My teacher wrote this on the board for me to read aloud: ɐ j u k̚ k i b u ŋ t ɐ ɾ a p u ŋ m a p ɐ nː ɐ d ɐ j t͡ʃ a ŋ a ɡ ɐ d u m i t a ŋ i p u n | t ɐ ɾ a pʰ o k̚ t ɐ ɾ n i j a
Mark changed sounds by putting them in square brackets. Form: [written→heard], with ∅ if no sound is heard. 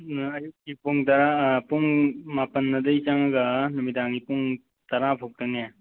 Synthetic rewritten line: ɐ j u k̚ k i [b→p] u ŋ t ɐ ɾ a p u ŋ m a p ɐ nː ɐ d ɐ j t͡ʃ a ŋ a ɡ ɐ [d→n] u m i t a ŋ i p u [n→ŋ] | t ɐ ɾ a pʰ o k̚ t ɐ [ɾ→∅] n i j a